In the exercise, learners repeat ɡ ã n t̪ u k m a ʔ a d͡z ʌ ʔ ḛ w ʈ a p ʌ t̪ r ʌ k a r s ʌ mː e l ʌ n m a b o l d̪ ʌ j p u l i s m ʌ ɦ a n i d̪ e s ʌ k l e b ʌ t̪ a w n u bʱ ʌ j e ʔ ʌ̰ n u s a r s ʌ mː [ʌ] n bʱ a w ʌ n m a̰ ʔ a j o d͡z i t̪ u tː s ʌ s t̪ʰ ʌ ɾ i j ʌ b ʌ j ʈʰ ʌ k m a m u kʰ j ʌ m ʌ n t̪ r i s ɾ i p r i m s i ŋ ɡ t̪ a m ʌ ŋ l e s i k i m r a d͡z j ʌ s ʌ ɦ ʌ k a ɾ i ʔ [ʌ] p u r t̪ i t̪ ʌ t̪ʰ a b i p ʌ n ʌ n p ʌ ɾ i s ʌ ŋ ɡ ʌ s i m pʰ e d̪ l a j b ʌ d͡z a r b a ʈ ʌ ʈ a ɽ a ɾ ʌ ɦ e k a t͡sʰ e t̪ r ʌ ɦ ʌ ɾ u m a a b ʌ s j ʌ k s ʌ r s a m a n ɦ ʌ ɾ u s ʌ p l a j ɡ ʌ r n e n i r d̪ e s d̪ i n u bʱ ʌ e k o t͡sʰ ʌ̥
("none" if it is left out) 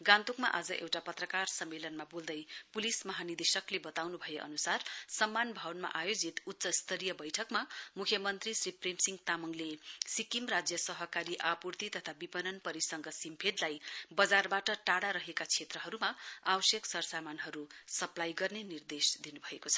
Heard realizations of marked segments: a, a

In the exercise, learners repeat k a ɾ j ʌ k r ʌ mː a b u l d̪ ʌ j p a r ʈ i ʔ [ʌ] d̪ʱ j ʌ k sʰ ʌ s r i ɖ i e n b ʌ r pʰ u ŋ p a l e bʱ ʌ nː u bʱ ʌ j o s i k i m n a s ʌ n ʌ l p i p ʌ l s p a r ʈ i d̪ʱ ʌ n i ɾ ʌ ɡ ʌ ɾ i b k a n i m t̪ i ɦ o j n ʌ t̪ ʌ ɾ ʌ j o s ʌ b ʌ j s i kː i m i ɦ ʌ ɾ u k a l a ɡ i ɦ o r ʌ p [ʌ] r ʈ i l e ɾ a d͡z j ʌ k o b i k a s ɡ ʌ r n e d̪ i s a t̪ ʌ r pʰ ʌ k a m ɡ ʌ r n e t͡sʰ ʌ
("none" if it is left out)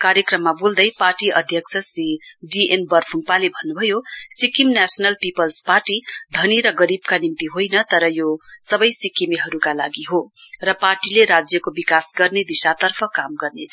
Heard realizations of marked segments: ʌ, a

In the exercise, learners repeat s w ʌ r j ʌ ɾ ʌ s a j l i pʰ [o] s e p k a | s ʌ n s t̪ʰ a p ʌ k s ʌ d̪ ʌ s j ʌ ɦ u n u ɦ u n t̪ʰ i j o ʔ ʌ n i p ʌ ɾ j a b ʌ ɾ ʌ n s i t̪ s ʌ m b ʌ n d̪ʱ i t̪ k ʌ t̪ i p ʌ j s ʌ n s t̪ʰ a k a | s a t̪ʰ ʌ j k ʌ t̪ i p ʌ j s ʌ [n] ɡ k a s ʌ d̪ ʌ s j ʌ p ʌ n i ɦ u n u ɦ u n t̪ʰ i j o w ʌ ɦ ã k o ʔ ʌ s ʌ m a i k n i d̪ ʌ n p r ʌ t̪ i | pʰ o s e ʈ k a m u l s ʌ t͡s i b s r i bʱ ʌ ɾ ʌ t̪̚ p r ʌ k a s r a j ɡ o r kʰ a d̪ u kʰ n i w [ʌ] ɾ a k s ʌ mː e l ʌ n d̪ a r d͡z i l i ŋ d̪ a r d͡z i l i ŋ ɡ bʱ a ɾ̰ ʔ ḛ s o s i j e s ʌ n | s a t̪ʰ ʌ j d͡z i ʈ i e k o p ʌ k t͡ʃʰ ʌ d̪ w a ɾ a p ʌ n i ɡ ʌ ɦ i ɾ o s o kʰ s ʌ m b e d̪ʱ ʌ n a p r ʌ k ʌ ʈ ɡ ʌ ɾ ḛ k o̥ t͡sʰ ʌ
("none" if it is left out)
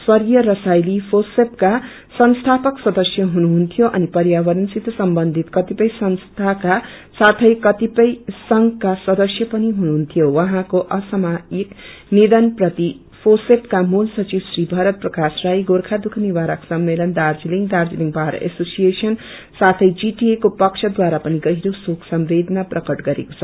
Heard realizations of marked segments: o, ŋ, a

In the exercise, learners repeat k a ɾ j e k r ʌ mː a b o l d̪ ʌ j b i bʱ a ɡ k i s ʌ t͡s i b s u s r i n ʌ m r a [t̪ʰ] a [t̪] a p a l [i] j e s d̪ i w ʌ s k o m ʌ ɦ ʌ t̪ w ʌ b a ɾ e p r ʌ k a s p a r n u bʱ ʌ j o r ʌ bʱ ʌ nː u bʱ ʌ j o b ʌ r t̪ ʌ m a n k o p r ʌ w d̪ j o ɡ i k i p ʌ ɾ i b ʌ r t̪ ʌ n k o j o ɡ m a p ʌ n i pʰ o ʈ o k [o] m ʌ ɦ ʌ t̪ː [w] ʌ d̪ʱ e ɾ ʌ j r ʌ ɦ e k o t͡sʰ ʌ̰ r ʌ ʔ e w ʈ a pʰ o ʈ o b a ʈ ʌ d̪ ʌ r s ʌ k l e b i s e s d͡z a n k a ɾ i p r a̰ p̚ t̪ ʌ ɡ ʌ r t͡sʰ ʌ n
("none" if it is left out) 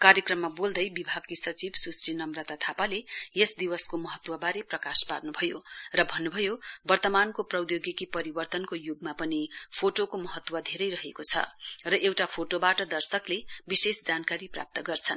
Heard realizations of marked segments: t̪, t̪ʰ, e, o, w

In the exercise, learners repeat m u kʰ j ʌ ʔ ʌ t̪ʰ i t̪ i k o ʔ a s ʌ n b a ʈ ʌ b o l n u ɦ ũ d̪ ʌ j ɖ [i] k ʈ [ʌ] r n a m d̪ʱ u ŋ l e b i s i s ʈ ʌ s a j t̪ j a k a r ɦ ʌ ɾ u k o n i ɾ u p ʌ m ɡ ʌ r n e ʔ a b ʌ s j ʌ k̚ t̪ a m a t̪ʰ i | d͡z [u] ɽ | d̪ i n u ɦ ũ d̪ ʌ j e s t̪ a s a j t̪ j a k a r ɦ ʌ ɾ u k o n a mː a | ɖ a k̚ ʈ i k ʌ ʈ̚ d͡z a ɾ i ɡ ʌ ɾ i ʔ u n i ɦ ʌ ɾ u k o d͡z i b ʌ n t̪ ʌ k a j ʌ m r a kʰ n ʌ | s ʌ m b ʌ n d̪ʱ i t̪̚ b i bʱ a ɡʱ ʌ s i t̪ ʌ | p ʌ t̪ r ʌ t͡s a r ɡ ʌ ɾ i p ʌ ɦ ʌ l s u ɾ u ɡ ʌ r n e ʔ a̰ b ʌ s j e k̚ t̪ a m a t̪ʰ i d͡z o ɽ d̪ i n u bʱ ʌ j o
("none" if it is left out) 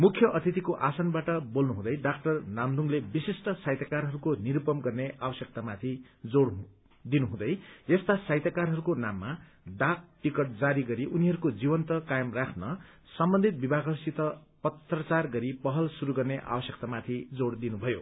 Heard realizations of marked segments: a, ʌ, o

